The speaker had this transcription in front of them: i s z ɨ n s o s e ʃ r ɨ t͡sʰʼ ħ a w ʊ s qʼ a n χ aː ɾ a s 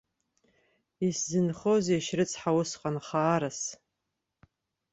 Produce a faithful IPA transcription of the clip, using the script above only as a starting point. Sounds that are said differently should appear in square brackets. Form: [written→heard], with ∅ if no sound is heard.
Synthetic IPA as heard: i s z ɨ n [s→χ] o [s→z] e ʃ r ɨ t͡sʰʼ ħ a w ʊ s qʼ a n χ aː ɾ a s